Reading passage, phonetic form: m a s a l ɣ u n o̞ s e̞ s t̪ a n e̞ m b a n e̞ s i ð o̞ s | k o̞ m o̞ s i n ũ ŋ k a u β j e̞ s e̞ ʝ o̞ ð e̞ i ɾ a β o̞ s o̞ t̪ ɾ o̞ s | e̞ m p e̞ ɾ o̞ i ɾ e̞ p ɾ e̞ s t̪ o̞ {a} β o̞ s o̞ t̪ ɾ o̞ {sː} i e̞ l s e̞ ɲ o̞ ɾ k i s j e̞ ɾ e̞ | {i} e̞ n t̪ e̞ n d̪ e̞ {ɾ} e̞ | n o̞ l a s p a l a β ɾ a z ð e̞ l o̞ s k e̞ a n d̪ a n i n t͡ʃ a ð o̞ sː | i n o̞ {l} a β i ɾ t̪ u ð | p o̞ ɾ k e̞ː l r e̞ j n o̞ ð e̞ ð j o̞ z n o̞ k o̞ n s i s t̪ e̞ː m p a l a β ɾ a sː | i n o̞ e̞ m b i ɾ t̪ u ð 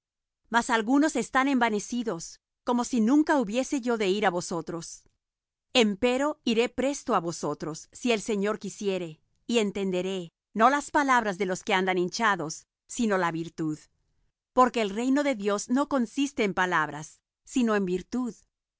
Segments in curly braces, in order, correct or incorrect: correct, correct, correct, correct, correct

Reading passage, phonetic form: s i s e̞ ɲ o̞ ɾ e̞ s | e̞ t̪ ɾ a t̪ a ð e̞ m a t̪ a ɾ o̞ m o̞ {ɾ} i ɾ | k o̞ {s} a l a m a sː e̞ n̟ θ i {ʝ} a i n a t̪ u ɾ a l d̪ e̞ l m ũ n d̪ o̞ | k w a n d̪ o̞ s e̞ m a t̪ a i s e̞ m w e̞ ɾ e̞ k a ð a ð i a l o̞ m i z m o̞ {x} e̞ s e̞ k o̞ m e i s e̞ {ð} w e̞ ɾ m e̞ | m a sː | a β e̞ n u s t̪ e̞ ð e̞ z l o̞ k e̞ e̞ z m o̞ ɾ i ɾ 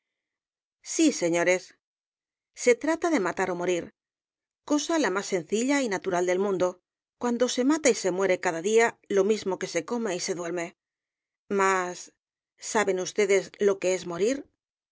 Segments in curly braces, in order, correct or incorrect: correct, correct, incorrect: ʎ, incorrect: k, correct

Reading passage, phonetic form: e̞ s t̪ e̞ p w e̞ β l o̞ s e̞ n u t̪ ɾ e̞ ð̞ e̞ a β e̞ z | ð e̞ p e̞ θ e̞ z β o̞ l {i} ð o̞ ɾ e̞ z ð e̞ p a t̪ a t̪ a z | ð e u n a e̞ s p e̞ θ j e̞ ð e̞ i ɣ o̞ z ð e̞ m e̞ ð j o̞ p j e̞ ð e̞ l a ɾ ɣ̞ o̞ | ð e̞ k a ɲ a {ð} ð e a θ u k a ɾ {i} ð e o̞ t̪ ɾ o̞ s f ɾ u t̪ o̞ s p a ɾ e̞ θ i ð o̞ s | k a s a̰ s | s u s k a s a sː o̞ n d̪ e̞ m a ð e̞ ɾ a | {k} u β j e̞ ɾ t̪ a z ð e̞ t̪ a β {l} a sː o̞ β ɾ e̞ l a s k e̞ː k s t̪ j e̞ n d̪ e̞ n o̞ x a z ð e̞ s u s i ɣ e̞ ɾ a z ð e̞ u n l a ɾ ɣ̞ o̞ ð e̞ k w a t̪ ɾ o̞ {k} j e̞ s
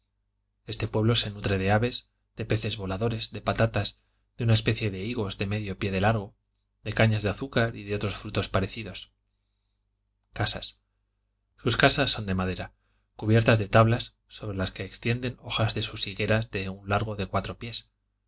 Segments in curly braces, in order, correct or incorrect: incorrect: a, incorrect: z, correct, correct, correct, incorrect: p

